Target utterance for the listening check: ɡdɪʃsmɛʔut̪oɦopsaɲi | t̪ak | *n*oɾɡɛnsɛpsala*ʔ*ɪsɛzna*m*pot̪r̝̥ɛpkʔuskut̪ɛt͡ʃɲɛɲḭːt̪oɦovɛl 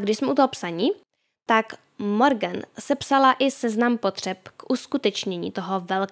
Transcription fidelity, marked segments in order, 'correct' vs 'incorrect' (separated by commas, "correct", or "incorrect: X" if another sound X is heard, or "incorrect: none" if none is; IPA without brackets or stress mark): incorrect: m, correct, correct